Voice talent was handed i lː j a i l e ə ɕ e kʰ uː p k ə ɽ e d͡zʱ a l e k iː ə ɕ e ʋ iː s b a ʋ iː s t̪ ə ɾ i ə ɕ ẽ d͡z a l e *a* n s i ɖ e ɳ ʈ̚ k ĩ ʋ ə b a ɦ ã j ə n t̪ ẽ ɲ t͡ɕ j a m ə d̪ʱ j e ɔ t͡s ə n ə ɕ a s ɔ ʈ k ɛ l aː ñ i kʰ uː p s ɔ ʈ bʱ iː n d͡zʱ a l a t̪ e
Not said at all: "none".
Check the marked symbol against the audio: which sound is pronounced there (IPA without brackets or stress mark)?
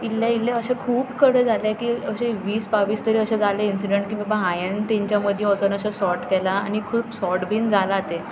i